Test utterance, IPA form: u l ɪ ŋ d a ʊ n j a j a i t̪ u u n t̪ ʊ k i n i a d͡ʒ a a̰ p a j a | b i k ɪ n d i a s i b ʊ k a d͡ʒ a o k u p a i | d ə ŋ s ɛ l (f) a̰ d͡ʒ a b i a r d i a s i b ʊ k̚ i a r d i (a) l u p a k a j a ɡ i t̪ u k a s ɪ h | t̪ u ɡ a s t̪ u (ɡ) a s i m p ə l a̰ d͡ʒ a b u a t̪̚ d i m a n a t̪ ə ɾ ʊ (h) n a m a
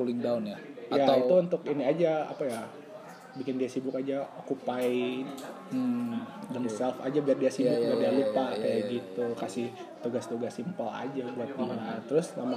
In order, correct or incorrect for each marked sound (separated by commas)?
correct, correct, correct, incorrect